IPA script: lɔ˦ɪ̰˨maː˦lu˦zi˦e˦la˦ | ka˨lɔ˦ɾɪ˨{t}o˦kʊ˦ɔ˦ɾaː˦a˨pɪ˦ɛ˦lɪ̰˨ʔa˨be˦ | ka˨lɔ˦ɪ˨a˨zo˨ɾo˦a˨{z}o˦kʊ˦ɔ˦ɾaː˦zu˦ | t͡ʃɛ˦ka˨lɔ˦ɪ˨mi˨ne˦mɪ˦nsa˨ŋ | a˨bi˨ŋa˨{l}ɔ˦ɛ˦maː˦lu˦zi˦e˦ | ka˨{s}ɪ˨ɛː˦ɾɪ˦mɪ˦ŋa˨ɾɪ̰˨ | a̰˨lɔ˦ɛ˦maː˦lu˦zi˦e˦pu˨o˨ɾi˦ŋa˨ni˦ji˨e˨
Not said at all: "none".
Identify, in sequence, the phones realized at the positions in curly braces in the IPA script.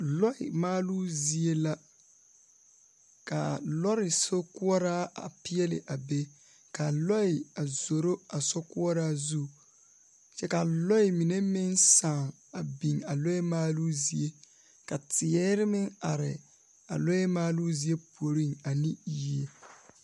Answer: s, s, l, t

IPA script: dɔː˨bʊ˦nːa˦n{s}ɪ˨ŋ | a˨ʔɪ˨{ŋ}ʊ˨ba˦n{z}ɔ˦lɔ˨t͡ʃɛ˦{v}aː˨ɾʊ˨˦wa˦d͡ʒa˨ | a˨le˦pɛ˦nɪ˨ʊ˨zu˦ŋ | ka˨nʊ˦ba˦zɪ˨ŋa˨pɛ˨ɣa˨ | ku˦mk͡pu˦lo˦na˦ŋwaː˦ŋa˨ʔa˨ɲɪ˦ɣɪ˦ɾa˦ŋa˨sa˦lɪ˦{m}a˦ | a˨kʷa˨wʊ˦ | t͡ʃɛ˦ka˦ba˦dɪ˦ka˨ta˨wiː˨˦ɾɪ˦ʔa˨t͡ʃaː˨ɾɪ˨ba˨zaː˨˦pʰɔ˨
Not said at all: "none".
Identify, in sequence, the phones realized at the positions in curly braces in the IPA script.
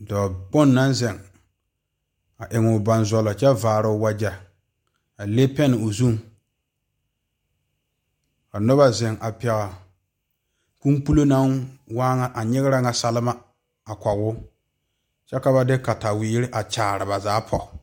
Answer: z, ŋ, z, v, m

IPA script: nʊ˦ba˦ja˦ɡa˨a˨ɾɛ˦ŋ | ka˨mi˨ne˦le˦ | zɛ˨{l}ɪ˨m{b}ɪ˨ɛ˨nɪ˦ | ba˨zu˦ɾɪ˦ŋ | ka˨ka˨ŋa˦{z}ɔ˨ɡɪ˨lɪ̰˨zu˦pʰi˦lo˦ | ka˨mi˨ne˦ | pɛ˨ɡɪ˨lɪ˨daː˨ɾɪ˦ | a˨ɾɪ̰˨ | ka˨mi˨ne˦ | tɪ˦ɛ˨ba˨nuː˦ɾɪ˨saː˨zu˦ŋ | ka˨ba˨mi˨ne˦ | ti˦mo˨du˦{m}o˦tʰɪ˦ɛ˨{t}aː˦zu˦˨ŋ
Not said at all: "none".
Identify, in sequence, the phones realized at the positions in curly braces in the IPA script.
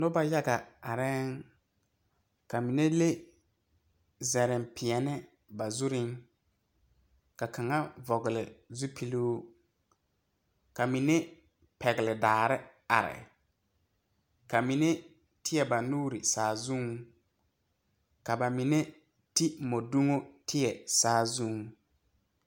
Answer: ɾ, p, v, ŋ, s

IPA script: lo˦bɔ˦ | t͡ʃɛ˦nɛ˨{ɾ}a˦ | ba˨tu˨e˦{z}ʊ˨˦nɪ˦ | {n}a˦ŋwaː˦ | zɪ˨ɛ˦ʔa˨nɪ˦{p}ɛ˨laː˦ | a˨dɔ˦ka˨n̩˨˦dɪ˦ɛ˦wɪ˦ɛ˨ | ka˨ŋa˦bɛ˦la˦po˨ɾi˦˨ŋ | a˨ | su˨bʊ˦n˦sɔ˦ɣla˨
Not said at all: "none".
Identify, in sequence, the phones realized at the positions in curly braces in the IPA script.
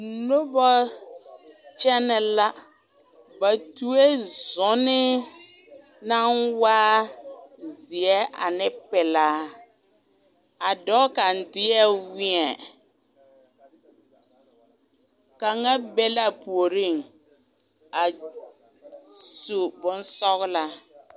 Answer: l, z, n, p

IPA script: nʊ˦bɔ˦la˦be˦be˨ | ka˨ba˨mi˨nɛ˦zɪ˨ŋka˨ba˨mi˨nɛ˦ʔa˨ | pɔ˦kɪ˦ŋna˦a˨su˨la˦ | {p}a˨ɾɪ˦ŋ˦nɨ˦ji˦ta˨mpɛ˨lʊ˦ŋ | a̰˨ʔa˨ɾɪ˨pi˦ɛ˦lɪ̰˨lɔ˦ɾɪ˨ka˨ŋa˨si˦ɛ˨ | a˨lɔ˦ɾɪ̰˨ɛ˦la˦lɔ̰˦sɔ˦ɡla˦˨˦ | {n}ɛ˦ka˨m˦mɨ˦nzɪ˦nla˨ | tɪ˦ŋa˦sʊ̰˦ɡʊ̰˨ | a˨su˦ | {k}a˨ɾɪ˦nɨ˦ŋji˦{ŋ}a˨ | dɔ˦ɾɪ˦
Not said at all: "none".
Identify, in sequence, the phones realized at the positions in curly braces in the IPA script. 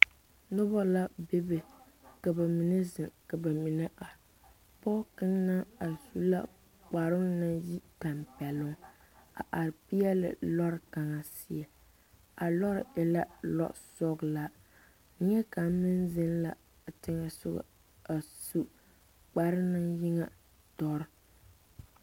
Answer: k͡p, ɲ, k͡p, ŋ

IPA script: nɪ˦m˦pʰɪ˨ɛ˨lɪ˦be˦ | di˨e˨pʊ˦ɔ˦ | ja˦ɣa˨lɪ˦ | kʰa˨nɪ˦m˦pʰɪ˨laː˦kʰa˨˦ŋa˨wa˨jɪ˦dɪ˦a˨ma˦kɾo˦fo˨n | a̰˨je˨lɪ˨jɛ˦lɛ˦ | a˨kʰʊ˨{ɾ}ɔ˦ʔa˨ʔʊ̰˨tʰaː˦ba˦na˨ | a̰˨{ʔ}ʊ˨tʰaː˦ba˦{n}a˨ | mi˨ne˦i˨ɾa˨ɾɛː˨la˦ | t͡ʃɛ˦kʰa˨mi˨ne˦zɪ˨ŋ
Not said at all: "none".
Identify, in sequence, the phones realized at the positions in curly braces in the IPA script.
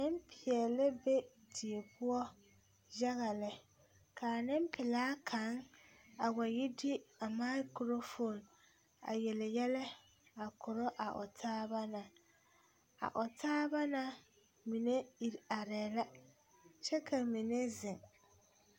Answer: ɾ, ʔ, n

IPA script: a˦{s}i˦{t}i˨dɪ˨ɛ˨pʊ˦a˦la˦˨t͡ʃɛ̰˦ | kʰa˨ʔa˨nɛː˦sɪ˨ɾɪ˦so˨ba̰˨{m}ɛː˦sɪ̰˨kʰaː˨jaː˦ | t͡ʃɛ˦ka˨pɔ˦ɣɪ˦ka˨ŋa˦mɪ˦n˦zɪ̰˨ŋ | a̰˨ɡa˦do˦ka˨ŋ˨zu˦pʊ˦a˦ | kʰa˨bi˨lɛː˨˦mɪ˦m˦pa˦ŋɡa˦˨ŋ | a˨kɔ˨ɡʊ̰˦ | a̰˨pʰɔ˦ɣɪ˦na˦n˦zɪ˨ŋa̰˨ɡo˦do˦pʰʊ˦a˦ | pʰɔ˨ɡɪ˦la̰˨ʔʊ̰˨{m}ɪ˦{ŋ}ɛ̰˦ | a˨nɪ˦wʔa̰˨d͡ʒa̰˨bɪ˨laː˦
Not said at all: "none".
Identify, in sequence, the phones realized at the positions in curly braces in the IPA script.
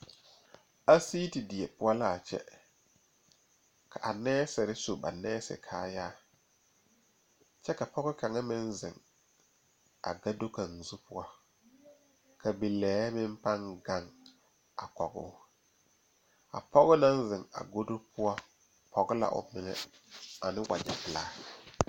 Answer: s, t, n, m, ŋ

